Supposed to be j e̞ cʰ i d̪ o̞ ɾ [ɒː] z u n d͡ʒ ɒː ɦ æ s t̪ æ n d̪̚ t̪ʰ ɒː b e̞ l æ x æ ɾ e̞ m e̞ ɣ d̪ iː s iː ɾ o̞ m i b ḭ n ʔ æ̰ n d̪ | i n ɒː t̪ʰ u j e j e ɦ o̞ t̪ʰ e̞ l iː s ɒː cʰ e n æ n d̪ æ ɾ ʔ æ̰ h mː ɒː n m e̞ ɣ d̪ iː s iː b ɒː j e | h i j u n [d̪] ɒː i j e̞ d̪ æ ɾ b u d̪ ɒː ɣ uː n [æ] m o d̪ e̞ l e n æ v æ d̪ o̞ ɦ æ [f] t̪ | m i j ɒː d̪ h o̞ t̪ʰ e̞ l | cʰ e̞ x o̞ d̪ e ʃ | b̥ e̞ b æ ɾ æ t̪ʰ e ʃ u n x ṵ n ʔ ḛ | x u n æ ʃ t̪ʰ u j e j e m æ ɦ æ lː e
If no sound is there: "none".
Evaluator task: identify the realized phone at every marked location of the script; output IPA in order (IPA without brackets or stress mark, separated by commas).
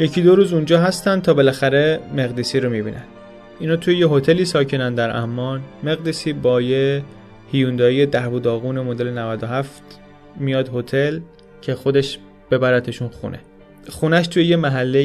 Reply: uː, d̪, e, f